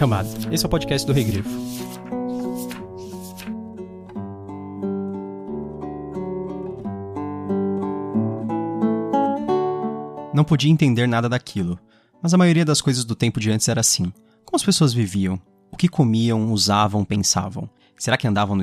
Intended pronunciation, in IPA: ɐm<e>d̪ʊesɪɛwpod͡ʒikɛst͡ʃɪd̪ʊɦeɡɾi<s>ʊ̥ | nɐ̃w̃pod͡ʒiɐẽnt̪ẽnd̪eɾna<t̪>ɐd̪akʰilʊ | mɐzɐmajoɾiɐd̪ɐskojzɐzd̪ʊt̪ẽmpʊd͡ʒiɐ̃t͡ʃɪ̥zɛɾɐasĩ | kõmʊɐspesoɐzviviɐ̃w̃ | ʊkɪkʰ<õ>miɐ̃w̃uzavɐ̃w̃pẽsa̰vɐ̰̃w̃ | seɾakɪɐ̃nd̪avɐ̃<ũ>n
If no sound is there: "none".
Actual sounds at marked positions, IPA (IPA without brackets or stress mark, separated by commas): a, f, d̪, o, w̃